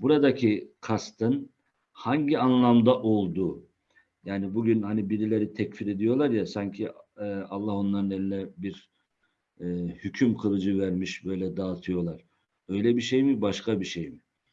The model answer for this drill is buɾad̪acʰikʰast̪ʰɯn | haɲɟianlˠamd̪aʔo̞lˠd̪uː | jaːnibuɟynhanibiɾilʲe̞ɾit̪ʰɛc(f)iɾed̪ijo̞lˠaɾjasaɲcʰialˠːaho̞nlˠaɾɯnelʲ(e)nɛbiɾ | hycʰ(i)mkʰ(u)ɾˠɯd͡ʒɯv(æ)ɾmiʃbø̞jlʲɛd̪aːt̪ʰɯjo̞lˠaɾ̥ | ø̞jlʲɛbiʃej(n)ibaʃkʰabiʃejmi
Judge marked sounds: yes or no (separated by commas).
yes, no, no, no, yes, no